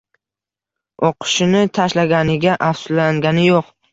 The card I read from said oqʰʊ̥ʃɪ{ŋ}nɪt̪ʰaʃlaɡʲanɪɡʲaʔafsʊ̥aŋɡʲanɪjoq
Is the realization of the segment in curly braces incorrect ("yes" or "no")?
yes